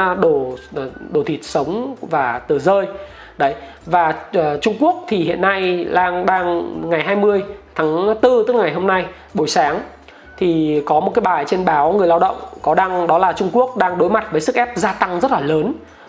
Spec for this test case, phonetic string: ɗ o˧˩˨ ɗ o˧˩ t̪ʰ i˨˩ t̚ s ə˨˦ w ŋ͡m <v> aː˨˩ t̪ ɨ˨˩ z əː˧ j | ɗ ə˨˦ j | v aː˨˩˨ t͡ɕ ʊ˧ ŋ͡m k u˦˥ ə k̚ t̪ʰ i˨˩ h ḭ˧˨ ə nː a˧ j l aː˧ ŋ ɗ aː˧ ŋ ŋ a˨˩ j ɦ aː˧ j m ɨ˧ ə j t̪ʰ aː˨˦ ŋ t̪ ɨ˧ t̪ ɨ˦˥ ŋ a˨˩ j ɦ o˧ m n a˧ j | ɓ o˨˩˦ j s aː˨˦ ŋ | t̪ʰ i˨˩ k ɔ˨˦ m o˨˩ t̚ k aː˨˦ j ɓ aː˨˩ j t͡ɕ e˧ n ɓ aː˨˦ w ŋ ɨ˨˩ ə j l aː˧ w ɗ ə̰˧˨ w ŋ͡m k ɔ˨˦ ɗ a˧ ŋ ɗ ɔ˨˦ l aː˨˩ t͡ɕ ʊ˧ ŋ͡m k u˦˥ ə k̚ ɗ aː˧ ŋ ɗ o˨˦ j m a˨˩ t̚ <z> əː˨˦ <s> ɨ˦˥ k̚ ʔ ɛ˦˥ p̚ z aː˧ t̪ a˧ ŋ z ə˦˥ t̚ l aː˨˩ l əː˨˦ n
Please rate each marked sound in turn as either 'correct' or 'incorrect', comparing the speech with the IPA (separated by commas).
correct, incorrect, correct